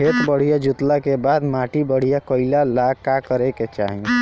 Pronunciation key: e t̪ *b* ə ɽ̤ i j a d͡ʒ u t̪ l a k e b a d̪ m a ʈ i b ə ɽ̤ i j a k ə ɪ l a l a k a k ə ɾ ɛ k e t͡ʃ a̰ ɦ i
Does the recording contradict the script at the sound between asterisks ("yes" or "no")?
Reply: no